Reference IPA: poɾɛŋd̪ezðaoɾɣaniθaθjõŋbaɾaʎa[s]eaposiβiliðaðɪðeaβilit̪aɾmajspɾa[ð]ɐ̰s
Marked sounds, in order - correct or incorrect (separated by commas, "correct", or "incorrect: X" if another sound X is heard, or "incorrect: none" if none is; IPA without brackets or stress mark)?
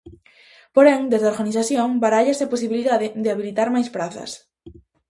correct, incorrect: θ